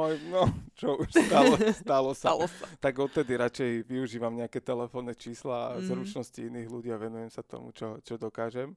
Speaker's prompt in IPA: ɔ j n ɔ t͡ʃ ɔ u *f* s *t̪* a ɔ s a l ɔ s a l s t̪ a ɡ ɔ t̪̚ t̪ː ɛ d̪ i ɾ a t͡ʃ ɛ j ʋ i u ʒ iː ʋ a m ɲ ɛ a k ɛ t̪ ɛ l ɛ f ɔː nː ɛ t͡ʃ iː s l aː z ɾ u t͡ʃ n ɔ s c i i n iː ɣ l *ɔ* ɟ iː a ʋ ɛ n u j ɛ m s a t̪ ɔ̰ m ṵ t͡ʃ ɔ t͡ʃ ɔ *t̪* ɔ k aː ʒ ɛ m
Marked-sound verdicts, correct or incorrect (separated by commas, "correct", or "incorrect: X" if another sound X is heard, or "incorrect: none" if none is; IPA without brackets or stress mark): incorrect: ʃ, correct, incorrect: u, incorrect: d̪